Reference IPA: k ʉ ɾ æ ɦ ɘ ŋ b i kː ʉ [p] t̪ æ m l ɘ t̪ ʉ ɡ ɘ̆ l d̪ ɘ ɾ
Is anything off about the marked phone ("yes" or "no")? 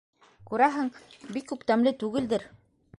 no